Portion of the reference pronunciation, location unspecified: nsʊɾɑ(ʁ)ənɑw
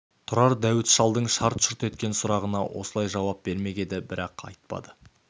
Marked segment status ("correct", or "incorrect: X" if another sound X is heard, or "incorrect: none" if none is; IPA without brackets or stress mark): correct